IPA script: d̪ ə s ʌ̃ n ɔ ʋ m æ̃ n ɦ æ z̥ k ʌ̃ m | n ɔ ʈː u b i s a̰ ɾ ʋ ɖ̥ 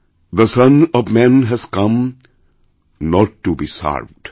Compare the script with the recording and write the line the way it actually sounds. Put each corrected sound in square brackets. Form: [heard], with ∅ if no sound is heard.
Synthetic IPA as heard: d̪ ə s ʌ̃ n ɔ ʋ m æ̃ n ɦ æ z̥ k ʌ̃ m | n ɔ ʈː u b i s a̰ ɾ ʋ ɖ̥

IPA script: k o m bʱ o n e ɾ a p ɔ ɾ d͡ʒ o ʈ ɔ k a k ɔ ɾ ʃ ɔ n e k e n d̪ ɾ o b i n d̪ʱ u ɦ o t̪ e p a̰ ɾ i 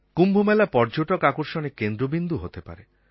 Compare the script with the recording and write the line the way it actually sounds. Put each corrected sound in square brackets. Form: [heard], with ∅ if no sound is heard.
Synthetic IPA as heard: k [u] m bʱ o [m] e [l] a p ɔ ɾ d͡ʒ o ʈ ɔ k a k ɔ ɾ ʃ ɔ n e k e n d̪ ɾ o b i n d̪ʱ u ɦ o t̪ e p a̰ ɾ [e]

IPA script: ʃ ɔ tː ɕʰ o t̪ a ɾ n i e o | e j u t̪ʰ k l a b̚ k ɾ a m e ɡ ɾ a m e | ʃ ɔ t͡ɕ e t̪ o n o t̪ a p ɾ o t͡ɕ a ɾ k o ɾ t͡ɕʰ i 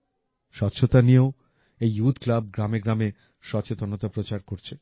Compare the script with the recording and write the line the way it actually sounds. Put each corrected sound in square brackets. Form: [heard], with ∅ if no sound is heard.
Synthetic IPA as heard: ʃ ɔ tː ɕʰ o t̪ a [∅] n i e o | e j u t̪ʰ k l a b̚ [ɡ] ɾ a m e ɡ ɾ a m e | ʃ ɔ t͡ɕ e t̪ o n o t̪ a p ɾ o t͡ɕ a ɾ k o ɾ t͡ɕʰ [e]

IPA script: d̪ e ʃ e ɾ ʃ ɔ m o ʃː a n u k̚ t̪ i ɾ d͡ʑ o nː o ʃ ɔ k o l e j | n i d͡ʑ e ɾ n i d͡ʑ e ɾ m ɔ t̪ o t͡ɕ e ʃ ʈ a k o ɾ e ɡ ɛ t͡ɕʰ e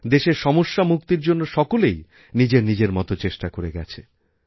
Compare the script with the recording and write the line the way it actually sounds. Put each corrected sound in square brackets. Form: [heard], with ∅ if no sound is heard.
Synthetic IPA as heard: d̪ e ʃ e ɾ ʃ ɔ m o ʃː a [m] u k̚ t̪ i ɾ d͡ʑ o nː o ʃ ɔ k o l e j | n i d͡ʑ e ɾ n i d͡ʑ e ɾ m ɔ t̪ o t͡ɕ e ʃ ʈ a k o ɾ e ɡ ɛ t͡ɕʰ e

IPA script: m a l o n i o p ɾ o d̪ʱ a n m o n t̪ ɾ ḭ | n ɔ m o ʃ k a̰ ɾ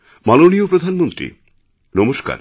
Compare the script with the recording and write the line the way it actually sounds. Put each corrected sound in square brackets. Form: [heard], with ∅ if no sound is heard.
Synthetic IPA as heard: m a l o n i o p ɾ o d̪ʱ a n m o n t̪ ɾ ḭ | n ɔ m o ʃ k a̰ ɾ

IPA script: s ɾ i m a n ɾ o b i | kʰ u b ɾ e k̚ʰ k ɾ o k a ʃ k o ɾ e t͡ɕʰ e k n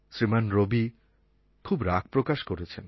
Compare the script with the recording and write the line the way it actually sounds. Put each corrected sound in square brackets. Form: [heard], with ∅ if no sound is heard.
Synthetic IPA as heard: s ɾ i m a n ɾ o b i | kʰ u b ɾ [a] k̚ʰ [p] ɾ o k a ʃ k o ɾ e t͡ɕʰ e [∅] n

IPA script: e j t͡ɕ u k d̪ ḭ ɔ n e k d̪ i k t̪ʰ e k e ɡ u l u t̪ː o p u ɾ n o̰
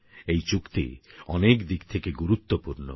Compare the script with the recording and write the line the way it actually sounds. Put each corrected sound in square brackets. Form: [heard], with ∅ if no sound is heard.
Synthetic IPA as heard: e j t͡ɕ u k [t̪] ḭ ɔ n e k d̪ i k t̪ʰ e k e ɡ u [ɾ] u t̪ː o p u ɾ n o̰

